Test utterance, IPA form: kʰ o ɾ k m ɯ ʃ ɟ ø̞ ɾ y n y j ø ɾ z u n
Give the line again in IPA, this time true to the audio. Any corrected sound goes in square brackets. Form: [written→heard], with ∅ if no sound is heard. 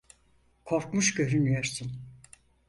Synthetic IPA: kʰ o ɾ k m [ɯ→u] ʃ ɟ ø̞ ɾ y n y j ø ɾ [z→s] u n